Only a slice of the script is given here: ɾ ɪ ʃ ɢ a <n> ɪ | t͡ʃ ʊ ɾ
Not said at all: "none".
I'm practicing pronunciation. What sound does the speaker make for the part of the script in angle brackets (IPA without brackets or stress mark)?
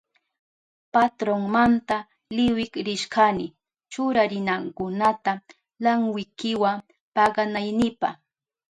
n